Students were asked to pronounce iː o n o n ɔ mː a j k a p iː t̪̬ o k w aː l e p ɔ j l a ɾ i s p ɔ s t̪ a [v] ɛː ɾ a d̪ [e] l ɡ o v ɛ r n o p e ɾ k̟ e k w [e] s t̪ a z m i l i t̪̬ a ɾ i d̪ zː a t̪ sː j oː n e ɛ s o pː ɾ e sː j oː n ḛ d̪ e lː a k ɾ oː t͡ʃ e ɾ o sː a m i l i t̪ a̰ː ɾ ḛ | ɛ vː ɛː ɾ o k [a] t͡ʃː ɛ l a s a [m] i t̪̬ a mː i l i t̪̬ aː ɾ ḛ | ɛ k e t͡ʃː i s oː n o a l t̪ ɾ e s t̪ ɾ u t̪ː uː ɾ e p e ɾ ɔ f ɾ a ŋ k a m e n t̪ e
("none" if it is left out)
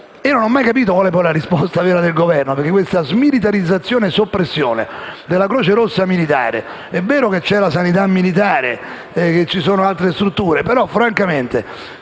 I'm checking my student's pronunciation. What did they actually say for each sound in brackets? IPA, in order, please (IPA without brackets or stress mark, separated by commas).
v, e, e, e, n